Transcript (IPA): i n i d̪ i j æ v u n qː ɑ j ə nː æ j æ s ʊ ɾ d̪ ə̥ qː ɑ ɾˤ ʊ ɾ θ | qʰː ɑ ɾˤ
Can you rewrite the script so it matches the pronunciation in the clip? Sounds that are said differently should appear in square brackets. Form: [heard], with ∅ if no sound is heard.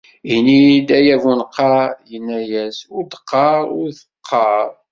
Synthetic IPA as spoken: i n i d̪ [æ] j æ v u n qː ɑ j ə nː æ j æ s ʊ ɾ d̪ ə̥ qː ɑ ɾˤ ʊ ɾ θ | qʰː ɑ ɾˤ